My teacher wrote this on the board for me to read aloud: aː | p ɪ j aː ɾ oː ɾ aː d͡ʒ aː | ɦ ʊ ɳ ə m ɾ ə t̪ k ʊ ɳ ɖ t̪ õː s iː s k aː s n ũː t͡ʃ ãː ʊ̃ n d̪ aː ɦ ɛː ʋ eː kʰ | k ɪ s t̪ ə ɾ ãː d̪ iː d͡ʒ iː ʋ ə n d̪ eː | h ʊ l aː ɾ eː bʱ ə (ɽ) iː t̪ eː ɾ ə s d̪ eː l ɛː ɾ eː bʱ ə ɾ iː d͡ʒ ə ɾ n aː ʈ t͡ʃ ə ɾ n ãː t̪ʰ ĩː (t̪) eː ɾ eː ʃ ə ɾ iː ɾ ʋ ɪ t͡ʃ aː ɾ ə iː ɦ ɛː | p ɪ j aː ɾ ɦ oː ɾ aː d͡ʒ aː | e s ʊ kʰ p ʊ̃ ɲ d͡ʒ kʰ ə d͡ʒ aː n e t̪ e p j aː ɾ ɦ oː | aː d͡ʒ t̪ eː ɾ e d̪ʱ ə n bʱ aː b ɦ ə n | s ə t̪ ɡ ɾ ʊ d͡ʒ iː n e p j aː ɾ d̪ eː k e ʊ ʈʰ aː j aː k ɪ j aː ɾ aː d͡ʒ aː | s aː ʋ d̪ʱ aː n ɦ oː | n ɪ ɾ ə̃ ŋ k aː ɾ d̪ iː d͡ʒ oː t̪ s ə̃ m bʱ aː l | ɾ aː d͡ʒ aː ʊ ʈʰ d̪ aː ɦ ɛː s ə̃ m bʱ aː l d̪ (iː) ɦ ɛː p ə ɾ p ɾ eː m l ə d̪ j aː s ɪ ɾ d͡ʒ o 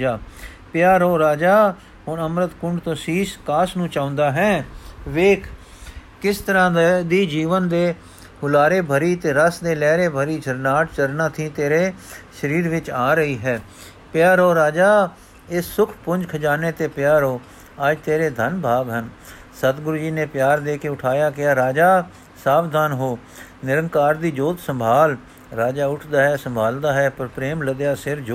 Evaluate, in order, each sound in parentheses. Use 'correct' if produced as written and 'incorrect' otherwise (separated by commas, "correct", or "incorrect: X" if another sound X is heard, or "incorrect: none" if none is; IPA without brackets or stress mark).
incorrect: ɾ, correct, incorrect: aː